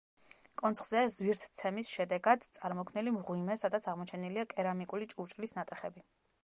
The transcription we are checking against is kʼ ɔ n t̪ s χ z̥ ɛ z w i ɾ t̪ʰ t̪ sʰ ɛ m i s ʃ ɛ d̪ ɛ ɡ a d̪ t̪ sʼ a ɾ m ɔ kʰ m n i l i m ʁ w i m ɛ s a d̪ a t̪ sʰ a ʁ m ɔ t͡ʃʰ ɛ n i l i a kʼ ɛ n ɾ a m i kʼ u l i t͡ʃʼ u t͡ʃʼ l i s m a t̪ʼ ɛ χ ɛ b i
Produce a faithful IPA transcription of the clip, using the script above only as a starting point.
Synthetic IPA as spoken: kʼ ɔ n t̪ s χ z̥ ɛ z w i ɾ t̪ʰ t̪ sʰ ɛ m i s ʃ ɛ d̪ ɛ ɡ a d̪ t̪ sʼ a ɾ m ɔ kʰ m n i l i m ʁ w i m ɛ s a d̪ a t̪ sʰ a ʁ m ɔ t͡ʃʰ ɛ n i l i a kʼ ɛ ɾ a m i kʼ u l i t͡ʃʼ u t͡ʃʼ l i s n a t̪ʼ ɛ χ ɛ b i